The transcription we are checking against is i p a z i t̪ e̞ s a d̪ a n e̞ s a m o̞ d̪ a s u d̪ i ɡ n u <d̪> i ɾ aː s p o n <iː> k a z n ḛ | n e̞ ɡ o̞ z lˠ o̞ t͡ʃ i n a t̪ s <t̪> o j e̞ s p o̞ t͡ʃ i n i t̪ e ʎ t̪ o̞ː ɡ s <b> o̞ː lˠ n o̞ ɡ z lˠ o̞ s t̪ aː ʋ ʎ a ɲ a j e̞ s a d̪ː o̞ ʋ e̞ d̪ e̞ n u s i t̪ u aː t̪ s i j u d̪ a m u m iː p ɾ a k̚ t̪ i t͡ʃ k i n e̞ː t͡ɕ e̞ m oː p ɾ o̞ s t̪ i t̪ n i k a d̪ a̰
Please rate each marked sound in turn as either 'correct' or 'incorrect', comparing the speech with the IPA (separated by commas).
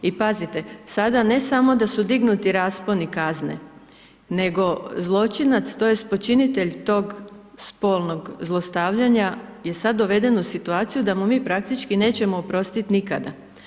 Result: incorrect, incorrect, correct, incorrect